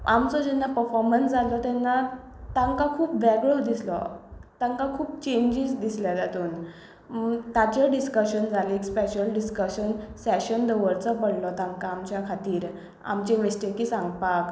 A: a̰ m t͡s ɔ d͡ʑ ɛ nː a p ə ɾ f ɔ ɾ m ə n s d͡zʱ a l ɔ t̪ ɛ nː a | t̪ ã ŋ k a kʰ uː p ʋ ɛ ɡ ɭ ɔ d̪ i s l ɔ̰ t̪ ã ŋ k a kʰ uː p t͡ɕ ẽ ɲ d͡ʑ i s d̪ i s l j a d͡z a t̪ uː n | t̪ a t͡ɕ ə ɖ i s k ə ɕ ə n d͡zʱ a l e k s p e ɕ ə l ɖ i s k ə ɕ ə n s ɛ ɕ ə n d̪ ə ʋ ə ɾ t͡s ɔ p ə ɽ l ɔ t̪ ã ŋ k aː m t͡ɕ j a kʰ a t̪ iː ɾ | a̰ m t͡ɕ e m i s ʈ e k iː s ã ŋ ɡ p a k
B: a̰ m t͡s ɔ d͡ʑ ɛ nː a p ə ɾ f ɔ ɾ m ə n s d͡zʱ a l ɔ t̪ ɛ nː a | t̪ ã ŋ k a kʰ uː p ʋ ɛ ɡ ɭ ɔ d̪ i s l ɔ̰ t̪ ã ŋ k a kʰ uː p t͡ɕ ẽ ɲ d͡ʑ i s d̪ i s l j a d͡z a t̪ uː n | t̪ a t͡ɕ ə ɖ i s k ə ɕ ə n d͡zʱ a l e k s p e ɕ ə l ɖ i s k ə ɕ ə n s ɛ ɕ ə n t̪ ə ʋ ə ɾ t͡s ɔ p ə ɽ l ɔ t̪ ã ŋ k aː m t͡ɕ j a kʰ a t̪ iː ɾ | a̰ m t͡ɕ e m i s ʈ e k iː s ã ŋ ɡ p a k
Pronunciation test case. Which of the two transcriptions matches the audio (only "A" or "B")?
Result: A